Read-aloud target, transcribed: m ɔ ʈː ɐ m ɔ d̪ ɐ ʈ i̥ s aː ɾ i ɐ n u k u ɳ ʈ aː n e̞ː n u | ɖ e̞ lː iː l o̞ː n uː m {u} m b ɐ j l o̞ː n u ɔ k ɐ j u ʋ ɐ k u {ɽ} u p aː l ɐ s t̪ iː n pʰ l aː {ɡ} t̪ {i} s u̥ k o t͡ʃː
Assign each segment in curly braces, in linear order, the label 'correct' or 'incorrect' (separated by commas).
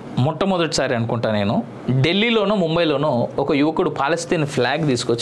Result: correct, correct, correct, incorrect